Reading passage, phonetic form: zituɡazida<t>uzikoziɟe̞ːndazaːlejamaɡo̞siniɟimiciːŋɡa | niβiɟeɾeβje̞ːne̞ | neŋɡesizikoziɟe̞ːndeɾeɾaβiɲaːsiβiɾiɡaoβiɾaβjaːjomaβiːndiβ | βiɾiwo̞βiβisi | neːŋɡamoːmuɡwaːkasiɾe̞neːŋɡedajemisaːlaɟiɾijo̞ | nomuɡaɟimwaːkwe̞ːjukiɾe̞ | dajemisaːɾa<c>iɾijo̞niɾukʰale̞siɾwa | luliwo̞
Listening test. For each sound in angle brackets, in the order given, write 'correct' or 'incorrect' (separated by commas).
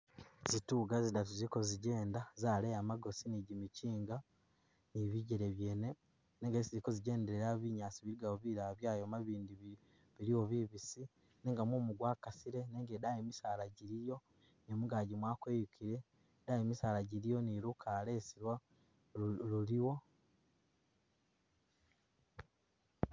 correct, incorrect